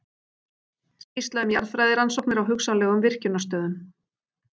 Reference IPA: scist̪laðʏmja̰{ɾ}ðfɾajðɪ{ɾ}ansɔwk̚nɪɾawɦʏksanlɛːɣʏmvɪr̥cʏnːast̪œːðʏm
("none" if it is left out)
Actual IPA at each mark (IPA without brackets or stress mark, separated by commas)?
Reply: ɾ, ɾ